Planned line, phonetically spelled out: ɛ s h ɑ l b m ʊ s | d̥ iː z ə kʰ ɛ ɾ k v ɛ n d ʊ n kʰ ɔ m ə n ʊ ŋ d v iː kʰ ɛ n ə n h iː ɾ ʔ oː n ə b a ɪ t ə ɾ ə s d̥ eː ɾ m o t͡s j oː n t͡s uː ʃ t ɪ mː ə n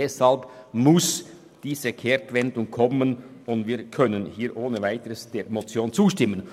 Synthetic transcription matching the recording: ɛ s h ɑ l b m ʊ s | d̥ iː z ə kʰ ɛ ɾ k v ɛ n d ʊ ŋ kʰ ɔ m ə n ʊ n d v iː kʰ œ n ə n h iː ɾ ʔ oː n ə v a ɪ t ə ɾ ə s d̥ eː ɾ m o t͡s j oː n t͡s uː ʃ t ɪ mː ə n